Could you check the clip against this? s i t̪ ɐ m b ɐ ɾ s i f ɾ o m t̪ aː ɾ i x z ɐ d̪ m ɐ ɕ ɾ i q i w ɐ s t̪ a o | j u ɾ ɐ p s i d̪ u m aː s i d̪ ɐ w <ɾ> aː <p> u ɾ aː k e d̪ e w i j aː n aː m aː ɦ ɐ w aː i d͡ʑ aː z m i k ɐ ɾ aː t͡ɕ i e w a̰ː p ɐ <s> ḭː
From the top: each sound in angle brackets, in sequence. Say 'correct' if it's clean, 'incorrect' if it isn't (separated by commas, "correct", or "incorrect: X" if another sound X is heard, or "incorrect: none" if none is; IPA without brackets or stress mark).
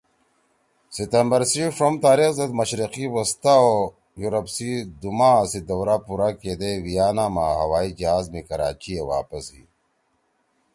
correct, correct, correct